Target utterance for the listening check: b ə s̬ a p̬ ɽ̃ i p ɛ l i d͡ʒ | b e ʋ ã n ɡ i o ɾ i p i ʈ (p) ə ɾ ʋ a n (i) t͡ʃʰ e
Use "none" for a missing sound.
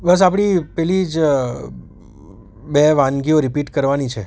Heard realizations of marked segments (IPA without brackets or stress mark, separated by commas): k, i